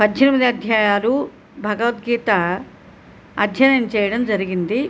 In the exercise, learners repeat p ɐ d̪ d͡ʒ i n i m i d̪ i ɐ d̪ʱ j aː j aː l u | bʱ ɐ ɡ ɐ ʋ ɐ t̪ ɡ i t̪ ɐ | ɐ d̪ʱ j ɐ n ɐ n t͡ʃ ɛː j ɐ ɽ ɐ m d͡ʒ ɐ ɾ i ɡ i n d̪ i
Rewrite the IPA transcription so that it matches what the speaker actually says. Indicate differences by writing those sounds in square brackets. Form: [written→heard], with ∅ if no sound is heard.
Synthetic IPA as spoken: p ɐ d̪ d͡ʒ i n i m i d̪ i ɐ d̪ʱ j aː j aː l u | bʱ ɐ ɡ ɐ ʋ ɐ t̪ ɡ [i→iː] t̪ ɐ | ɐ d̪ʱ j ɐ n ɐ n t͡ʃ ɛː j ɐ ɽ ɐ m d͡ʒ ɐ ɾ i ɡ i n d̪ i